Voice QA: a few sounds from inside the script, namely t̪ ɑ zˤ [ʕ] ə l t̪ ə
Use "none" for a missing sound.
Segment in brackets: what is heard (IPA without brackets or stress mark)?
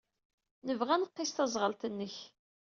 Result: ʁ